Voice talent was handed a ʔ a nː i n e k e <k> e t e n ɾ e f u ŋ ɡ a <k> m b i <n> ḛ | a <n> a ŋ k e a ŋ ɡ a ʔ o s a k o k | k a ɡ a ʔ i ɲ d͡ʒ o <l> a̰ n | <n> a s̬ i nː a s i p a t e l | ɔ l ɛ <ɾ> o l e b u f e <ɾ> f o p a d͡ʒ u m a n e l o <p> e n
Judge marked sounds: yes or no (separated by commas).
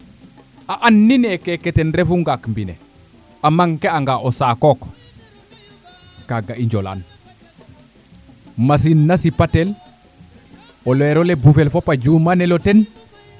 yes, yes, yes, no, yes, no, yes, no, no